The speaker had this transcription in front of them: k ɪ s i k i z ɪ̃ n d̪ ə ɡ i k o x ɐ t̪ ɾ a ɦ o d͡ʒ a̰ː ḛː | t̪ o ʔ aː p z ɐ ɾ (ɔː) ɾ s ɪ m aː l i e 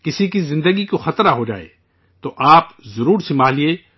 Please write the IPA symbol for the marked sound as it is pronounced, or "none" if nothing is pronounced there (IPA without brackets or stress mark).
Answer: uː